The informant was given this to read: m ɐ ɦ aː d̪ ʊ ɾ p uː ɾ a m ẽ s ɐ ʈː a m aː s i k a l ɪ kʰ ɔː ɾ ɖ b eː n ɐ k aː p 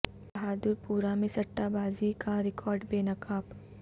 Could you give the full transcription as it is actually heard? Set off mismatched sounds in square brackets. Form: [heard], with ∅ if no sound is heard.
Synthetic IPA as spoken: [b] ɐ ɦ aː d̪ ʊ ɾ p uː ɾ a m ẽ s ɐ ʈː a [b] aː [z] i k a [ɾ] ɪ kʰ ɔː ɾ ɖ b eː n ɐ k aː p